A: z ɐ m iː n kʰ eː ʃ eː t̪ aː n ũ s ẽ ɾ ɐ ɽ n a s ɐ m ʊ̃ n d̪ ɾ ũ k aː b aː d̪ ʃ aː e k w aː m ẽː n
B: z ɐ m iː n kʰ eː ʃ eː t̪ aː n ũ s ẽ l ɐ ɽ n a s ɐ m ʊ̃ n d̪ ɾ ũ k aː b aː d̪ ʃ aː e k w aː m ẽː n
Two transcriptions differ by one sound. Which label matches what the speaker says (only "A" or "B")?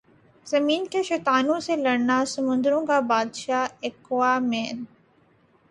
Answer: B